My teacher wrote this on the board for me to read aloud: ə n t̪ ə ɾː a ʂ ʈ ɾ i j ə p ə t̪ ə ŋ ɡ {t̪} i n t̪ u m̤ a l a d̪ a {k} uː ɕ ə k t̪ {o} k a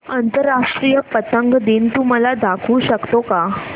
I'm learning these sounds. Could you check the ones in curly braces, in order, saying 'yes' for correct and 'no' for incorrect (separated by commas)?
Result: no, no, yes